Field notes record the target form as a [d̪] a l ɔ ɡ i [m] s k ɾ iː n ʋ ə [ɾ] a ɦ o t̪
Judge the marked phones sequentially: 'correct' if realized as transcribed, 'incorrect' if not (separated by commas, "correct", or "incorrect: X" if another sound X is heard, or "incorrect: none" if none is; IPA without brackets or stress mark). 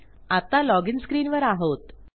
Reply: incorrect: t̪, incorrect: n, correct